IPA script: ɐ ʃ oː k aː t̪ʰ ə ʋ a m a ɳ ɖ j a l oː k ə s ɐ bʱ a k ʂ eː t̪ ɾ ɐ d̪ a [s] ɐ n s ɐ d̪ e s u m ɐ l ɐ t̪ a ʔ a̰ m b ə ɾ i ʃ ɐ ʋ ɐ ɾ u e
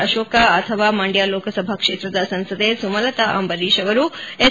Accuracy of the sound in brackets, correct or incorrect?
correct